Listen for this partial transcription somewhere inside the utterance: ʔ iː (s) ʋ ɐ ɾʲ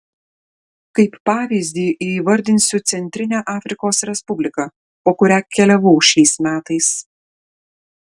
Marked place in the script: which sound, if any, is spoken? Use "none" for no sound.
none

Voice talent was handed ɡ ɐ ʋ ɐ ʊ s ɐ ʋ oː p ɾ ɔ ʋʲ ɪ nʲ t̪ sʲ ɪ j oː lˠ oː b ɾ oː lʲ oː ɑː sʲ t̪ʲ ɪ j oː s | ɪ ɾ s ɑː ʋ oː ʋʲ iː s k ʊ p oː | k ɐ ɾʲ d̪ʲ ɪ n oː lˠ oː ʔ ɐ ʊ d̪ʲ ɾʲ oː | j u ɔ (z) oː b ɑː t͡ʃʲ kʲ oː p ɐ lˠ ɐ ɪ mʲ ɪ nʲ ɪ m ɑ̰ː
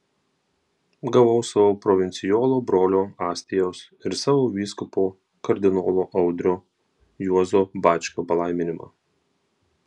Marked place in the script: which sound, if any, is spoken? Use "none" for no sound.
z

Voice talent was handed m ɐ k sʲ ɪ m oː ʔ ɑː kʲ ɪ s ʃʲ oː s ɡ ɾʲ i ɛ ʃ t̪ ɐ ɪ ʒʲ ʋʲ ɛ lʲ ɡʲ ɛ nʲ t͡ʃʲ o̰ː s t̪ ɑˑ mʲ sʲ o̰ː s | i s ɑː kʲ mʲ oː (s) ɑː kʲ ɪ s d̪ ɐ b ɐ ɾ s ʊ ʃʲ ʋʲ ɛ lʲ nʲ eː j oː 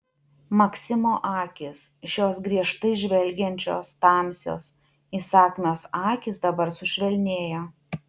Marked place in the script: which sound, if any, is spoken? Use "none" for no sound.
s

